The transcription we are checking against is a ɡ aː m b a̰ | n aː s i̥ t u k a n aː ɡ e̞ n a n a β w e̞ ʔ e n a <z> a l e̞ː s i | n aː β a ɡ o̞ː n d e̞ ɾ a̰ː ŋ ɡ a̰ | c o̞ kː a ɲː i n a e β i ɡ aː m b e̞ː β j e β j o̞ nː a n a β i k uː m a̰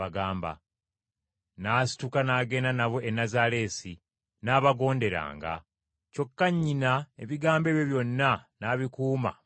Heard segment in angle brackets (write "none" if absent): z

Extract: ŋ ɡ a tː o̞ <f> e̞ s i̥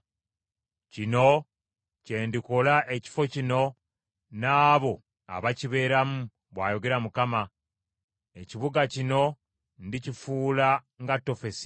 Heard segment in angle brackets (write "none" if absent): f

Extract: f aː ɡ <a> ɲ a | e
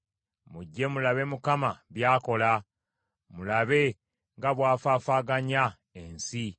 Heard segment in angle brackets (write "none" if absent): a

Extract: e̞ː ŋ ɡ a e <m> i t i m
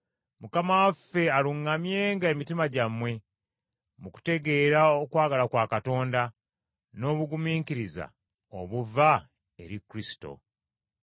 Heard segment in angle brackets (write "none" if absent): m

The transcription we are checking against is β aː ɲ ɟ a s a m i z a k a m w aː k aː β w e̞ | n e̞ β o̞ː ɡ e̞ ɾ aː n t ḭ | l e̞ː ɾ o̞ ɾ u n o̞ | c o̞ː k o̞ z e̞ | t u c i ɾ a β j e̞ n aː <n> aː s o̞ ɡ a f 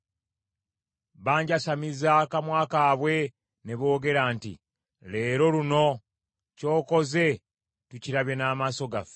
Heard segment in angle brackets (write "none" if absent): m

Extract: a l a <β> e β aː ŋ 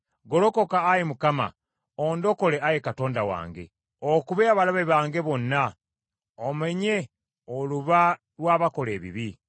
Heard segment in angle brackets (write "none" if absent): β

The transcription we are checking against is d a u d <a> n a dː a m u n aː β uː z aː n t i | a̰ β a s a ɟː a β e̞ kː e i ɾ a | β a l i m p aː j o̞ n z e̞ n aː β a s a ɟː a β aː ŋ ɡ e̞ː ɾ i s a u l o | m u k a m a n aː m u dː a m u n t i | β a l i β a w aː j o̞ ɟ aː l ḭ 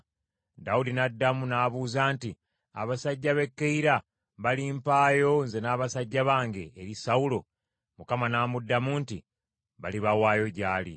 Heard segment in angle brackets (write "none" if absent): i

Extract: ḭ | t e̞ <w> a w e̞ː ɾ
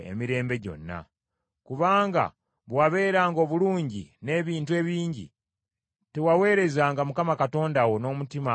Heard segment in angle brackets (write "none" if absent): w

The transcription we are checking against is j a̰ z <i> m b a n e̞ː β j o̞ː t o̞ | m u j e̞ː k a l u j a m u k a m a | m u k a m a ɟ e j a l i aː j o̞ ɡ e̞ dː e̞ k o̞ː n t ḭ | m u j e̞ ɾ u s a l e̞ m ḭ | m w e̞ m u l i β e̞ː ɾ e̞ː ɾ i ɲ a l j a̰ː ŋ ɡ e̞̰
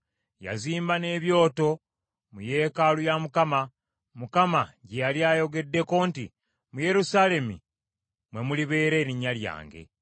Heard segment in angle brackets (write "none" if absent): iː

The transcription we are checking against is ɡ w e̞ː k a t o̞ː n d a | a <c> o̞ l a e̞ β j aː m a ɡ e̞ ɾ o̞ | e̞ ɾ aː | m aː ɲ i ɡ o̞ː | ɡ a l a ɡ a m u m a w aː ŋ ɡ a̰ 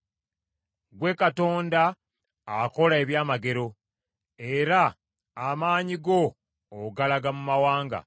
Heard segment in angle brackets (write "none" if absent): k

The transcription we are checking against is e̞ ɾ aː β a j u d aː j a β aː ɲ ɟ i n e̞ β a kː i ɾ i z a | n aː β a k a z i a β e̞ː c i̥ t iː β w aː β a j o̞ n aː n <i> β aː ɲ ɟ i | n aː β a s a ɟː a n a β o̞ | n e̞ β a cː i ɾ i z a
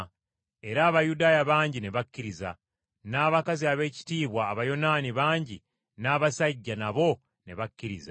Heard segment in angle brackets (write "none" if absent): i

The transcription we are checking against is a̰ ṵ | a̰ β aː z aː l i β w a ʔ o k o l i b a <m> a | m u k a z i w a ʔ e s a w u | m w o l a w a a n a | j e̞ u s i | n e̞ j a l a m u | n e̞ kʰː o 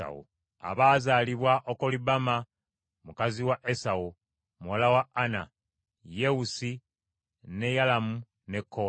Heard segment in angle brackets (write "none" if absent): m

